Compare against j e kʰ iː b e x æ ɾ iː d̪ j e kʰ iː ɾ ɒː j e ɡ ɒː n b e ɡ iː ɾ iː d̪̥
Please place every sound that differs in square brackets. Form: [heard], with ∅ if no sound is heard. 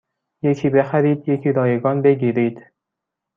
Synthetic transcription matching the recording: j e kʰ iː b e x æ ɾ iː d̪ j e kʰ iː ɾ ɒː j e ɡ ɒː n b e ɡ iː ɾ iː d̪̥